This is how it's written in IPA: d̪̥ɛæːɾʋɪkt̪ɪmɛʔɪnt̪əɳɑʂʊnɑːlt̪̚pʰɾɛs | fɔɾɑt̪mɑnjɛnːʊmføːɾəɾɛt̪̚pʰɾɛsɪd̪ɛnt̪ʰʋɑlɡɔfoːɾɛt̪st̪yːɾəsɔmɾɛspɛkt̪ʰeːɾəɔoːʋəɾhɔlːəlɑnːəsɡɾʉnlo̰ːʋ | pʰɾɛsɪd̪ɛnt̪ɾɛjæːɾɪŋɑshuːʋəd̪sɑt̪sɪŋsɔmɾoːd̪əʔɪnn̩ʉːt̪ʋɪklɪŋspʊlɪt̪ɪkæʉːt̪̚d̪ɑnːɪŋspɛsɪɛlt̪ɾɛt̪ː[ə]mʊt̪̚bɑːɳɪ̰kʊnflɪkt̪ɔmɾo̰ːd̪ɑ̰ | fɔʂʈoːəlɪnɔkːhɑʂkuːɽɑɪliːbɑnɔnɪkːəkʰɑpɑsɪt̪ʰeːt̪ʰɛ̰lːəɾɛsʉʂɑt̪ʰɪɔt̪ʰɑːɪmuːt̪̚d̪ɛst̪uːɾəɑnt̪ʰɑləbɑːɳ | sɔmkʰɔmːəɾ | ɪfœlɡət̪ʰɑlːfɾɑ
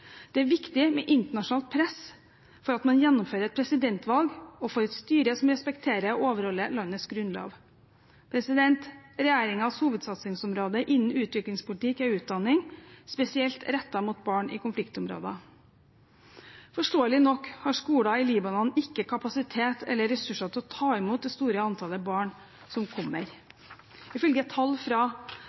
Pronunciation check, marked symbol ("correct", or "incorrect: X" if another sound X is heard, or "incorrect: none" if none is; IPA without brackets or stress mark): incorrect: ɑ